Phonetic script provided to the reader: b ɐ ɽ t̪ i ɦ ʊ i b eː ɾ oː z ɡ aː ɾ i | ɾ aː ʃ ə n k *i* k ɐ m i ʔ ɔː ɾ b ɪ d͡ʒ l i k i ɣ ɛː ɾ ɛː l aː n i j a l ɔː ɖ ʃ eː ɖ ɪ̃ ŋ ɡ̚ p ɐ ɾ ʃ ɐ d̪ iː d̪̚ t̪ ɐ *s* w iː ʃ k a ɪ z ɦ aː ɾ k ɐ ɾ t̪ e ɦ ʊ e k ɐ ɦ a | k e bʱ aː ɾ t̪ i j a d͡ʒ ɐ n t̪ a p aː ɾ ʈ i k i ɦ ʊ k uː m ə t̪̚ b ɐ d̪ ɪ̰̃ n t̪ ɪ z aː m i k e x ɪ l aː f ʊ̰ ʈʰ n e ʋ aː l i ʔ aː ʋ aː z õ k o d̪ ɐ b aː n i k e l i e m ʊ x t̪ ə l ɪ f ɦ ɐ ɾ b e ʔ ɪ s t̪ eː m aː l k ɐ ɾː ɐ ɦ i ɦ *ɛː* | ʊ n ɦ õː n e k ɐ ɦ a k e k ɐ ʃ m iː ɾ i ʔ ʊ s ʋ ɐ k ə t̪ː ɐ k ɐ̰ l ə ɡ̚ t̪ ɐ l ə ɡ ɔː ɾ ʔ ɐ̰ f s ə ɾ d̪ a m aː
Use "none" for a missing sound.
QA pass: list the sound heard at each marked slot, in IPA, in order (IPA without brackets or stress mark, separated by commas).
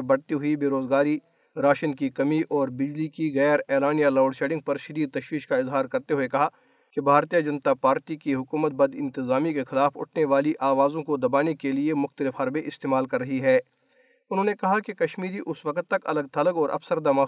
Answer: i, ʃ, ɛː